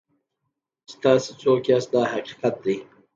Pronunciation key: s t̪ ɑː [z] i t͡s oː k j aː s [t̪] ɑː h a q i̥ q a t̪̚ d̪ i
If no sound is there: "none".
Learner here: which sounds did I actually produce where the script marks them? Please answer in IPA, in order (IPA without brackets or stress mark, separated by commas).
s, d̪